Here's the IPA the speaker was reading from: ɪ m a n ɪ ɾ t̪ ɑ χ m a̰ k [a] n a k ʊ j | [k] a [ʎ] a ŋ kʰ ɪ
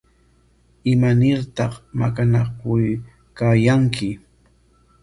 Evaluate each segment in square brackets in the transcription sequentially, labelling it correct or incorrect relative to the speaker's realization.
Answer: correct, correct, incorrect: j

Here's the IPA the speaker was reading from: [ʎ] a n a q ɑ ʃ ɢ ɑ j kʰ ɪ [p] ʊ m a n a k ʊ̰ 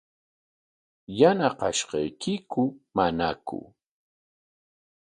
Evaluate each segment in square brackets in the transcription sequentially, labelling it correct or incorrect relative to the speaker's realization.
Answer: incorrect: j, incorrect: k

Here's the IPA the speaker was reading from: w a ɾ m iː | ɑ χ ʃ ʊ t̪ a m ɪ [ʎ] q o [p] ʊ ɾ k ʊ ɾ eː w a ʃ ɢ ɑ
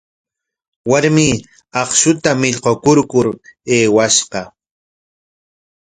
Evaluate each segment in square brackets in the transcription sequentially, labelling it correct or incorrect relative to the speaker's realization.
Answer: correct, incorrect: k

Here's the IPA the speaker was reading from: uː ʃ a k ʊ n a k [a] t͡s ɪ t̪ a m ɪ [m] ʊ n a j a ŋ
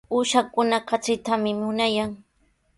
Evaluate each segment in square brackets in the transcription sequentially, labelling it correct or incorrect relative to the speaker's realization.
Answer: correct, correct

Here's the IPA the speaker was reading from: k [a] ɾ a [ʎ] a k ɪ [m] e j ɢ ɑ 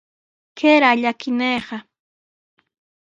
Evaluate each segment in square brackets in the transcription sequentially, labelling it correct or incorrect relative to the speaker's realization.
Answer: incorrect: e, correct, incorrect: n

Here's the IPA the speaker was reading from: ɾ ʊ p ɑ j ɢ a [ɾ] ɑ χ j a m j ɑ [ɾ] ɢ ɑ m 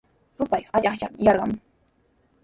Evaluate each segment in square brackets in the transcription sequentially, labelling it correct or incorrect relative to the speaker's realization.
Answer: incorrect: ʎ, correct

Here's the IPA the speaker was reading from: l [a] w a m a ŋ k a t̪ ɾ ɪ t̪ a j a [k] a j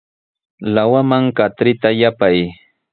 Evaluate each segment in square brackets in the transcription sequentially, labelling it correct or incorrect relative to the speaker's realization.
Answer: correct, incorrect: p

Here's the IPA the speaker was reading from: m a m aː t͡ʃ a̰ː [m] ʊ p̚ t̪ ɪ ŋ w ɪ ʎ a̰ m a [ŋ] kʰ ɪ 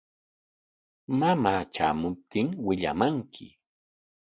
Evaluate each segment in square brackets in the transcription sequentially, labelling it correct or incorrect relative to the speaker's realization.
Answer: correct, correct

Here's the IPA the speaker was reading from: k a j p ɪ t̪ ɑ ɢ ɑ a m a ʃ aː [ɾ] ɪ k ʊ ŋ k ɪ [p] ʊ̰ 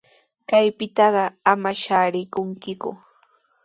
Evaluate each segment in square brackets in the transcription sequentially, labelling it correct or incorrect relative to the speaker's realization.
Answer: correct, incorrect: k

